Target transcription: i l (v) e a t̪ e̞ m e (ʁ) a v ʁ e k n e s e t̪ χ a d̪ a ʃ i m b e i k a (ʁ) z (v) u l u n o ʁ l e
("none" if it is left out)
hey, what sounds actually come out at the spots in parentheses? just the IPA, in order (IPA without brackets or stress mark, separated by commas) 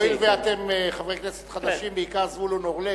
v, χ, ʁ, v